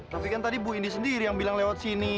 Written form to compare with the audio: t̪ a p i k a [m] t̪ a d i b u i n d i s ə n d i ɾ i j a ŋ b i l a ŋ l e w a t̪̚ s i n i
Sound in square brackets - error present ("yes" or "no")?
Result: yes